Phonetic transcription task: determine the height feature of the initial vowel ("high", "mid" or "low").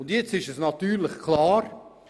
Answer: high